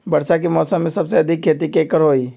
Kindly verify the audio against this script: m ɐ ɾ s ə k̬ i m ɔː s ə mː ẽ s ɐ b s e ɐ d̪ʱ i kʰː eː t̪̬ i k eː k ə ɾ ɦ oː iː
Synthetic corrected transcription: b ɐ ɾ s a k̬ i m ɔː s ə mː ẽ s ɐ b s e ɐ d̪ʱ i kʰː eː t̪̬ i k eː k ə ɾ ɦ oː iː

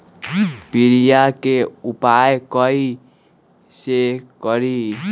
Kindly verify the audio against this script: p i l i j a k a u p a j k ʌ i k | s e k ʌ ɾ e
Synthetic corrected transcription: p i ɾ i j a k e u p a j k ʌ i | s e k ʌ ɾ i

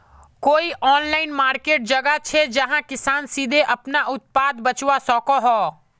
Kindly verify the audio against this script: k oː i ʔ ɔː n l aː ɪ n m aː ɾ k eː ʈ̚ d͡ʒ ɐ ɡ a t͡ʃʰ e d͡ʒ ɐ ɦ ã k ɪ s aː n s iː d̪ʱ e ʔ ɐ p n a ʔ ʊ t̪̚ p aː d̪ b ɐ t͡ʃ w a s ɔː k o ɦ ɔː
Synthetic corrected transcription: k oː i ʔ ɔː n l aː ɪ n m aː ɾ k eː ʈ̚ d͡ʒ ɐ ɡ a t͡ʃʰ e d͡ʒ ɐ ɦ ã k ɪ s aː n s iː d̪ʱ e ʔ ɐ p n a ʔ ʊ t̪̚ p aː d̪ b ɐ t͡ʃ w a s ɔː k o ɦ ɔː

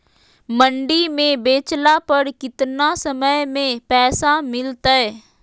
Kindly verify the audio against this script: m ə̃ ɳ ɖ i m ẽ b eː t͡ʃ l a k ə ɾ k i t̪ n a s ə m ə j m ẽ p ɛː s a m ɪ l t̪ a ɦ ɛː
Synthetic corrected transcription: m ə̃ ɳ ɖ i m ẽ b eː t͡ʃ l a p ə ɾ k ɪ t̪ n a s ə m ə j m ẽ p ɛː s a m ɪ l t̪ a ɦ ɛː

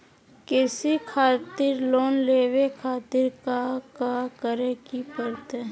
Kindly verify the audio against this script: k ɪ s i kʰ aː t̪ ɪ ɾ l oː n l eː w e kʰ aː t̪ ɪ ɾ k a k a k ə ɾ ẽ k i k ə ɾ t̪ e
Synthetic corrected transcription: k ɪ s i kʰ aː t̪ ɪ ɾ l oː n l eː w e kʰ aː t̪ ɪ ɾ k a k a k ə ɾ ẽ k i p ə ɾ t̪ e

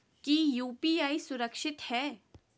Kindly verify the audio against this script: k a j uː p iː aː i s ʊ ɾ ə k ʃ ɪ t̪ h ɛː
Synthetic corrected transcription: k i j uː p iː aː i s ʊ ɾ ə k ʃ ɪ t̪ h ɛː

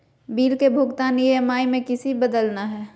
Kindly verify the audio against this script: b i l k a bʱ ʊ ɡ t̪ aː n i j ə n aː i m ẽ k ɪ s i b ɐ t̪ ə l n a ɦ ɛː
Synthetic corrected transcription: b iː l k e bʱ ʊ ɡ t̪ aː n i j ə m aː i m ẽ k ɪ s i b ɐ d̪ ə l n a ɦ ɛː

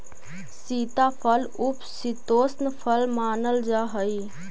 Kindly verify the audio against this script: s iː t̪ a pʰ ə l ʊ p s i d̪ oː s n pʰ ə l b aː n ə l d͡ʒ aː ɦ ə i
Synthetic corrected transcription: s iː t̪ a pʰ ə l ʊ p s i t̪ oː s n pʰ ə l m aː n ə l d͡ʒ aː ɦ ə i

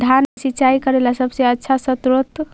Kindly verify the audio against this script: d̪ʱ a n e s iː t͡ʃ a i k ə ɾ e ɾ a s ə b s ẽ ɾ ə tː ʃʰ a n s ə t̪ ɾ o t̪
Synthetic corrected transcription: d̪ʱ a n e s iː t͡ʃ a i k ə ɾ e l a s ə b s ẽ ə tː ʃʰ a s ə t̪ ɾ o t̪

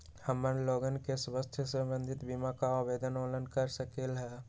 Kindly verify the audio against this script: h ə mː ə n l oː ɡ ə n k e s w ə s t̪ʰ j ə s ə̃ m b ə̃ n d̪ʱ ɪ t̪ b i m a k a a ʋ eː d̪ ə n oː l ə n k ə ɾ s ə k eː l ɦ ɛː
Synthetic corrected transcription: h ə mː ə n l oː ɡ ə n k e s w ə s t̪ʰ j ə s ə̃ m b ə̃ n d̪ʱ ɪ t̪ b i m a k a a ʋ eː d̪ ə n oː l ə n k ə ɾ s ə k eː l ɦ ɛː

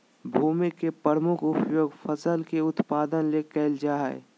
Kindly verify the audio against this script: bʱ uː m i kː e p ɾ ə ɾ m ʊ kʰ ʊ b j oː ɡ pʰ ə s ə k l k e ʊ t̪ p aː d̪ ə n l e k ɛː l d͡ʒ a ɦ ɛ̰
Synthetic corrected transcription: bʱ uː m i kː e p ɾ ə ɾ m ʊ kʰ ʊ p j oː ɡ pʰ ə s ə l k e ʊ t̪ p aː d̪ ə n l e k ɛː l d͡ʒ a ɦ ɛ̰

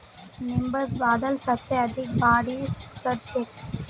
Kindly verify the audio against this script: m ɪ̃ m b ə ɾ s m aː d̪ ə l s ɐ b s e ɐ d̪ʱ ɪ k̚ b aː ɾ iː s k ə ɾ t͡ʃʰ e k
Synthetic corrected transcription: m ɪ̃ m b ə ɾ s b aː d̪ ə l s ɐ b s e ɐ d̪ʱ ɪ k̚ b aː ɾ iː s k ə ɾ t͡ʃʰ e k

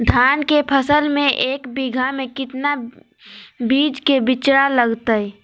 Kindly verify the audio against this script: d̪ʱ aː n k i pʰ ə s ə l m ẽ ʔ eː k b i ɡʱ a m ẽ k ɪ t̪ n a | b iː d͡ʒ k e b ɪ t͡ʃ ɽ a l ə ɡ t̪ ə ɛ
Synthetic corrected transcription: d̪ʱ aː n k e pʰ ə s ə l m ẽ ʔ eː k b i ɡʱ a m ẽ k ɪ t̪ n a | b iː d͡ʒ k e b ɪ t͡ʃ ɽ a l ə ɡ t̪ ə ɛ

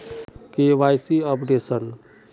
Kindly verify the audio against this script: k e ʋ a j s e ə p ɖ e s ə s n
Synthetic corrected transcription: k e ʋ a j s i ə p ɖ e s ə n

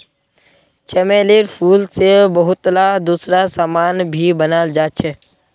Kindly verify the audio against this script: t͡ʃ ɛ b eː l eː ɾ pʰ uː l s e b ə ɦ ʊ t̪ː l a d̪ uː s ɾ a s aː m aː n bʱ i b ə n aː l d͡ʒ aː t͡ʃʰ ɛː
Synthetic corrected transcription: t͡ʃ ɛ m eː l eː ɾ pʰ uː l s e b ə ɦ ʊ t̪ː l a d̪ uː s ɾ a s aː m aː n bʱ i b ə n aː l d͡ʒ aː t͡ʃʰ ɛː

